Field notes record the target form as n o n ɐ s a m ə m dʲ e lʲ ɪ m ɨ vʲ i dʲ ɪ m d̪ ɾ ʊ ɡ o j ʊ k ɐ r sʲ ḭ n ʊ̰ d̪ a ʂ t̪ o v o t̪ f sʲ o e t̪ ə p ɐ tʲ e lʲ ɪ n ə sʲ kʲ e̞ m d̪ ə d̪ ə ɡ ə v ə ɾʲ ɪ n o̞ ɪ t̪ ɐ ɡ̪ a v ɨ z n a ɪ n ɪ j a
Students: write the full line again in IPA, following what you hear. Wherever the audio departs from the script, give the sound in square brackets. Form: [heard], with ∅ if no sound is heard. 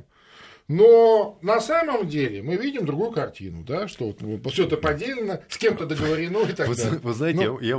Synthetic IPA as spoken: n o n ɐ s a m ə m dʲ e lʲ ɪ m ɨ vʲ i dʲ ɪ m d̪ ɾ ʊ ɡ [u] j ʊ k ɐ r [tʲ] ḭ n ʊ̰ d̪ a ʂ t̪ o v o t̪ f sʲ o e t̪ ə p ɐ [dʲ] e lʲ ɪ n ə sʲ kʲ e̞ m [t̪] ə d̪ ə ɡ ə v ə ɾʲ ɪ n o̞ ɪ t̪ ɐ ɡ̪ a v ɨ z n a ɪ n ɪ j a